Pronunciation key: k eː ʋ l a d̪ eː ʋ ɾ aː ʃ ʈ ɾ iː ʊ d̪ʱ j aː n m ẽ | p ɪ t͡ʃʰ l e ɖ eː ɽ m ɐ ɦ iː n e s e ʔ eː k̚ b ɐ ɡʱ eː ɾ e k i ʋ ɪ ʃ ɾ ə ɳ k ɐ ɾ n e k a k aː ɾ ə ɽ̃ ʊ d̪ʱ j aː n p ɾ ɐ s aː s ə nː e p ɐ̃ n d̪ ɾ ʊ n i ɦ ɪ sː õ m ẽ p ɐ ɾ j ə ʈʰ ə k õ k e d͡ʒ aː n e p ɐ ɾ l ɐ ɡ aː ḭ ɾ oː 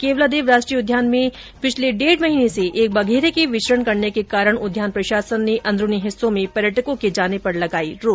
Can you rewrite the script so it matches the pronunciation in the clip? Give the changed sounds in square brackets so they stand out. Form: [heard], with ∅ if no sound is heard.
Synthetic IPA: k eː ʋ l a d̪ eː ʋ ɾ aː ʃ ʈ ɾ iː ʊ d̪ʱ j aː n m ẽ | p ɪ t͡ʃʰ l e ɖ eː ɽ m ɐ ɦ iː n e s e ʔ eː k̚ b ɐ ɡʱ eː ɾ e k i ʋ ɪ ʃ ɾ ə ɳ k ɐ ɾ n e k [e] k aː ɾ ə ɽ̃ ʊ d̪ʱ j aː n p ɾ ɐ [ʃ] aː s ə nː e [ʔ] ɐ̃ n d̪ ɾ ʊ n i ɦ ɪ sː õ m ẽ p ɐ ɾ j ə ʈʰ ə k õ k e d͡ʒ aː n e p ɐ ɾ l ɐ ɡ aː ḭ ɾ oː